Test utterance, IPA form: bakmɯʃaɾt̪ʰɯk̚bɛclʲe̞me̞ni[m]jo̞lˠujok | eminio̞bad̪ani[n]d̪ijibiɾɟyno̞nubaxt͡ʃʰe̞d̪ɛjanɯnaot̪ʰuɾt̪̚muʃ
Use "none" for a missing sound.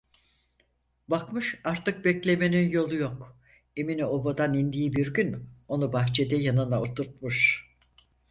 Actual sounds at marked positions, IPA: n, n

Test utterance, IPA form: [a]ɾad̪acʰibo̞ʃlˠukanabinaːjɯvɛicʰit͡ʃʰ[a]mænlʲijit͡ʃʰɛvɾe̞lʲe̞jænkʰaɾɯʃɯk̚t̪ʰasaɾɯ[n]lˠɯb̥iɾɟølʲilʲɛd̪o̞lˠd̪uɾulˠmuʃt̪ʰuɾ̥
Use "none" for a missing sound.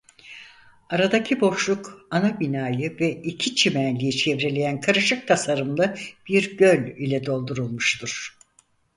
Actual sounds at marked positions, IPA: a, i, m

